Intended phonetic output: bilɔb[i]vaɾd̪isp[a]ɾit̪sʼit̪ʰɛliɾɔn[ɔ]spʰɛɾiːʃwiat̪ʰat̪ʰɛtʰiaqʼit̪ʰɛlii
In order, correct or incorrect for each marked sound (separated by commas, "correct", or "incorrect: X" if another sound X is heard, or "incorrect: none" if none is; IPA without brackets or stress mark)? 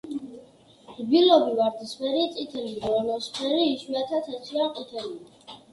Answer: correct, incorrect: ɛ, correct